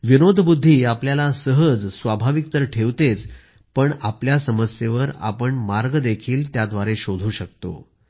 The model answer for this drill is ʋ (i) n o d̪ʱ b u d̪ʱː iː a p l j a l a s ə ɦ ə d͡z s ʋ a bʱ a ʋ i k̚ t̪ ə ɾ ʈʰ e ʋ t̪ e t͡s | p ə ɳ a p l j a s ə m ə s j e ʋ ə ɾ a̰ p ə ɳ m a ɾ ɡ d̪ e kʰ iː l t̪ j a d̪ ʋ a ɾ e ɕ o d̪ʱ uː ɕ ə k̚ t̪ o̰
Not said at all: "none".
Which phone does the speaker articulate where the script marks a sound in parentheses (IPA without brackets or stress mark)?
i